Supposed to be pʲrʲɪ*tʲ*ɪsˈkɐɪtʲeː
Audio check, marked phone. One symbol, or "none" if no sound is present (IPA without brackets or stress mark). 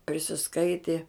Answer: sʲ